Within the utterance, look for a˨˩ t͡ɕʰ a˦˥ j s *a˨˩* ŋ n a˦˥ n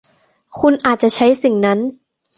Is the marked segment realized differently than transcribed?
yes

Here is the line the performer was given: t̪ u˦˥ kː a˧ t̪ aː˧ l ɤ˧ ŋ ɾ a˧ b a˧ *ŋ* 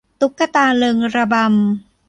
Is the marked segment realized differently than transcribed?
yes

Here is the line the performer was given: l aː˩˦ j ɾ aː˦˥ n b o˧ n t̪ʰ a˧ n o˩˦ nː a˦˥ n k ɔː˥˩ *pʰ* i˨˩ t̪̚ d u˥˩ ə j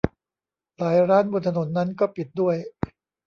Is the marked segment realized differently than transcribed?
yes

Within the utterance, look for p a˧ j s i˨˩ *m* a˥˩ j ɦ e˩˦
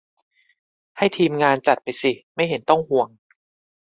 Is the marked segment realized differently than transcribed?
no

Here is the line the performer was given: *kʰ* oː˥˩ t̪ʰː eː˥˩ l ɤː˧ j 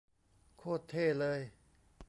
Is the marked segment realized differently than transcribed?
no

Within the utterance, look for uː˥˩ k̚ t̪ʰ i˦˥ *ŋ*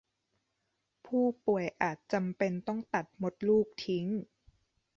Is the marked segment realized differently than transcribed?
no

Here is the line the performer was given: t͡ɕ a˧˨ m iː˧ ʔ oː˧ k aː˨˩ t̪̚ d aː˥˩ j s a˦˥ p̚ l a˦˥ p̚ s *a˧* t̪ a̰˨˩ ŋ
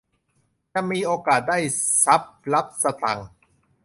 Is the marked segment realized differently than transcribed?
no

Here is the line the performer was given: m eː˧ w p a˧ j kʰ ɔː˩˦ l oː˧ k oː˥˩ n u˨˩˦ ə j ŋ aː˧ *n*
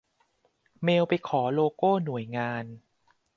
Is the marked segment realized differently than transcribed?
no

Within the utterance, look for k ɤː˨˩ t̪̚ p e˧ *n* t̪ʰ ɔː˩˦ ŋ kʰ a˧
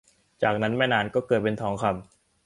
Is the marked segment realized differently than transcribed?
no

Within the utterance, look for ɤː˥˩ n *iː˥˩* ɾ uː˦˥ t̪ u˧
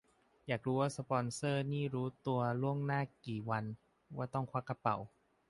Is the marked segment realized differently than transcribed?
no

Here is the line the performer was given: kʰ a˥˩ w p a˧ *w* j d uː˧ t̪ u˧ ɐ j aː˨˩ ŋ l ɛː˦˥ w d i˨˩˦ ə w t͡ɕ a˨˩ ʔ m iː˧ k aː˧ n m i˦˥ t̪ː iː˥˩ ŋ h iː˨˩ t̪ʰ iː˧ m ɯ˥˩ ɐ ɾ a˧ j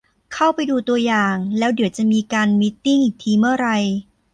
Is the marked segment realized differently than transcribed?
yes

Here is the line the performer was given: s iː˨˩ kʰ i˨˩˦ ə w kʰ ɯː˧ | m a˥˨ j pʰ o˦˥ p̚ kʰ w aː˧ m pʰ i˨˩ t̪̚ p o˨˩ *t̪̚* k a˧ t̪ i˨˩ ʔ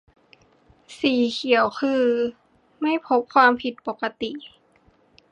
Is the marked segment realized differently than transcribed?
yes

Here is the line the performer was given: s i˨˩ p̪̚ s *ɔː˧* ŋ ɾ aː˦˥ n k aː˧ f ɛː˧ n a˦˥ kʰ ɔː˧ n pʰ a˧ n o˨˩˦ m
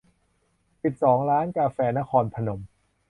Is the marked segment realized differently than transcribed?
yes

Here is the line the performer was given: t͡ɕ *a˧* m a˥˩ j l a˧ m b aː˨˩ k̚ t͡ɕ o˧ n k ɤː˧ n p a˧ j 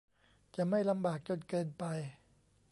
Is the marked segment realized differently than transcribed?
yes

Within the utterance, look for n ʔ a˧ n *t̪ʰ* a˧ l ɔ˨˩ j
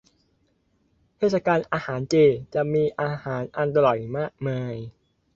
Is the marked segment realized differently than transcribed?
yes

